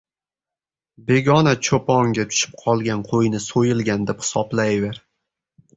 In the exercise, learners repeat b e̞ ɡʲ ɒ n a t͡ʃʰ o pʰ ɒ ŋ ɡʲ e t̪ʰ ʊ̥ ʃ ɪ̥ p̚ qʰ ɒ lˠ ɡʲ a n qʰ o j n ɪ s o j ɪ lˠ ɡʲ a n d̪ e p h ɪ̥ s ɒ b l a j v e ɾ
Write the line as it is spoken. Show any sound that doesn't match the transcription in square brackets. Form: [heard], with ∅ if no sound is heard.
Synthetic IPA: b e̞ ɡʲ ɒ n a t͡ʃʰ o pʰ ɒ ŋ ɡʲ [a] t̪ʰ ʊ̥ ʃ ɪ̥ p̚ qʰ ɒ lˠ ɡʲ a n qʰ o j n ɪ s o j ɪ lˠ ɡʲ a n d̪ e p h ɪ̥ s ɒ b l a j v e ɾ